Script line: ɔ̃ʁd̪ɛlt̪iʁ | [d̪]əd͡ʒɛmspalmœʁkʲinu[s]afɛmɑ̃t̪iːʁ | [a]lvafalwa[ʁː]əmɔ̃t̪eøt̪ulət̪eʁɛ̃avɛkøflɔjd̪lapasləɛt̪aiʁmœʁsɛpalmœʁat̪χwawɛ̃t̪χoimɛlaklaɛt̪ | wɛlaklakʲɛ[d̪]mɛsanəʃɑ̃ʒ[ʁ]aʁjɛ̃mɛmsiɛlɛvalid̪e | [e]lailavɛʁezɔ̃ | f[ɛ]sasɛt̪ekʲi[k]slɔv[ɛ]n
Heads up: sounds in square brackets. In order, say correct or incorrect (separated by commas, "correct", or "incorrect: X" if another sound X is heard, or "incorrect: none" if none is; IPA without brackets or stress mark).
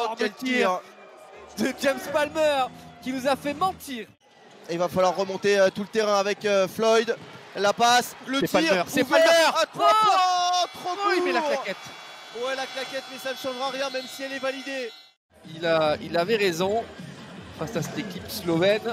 correct, incorrect: z, incorrect: i, correct, incorrect: t̪, correct, incorrect: i, incorrect: a, incorrect: p, correct